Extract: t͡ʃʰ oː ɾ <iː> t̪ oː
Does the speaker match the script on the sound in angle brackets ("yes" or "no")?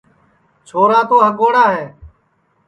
no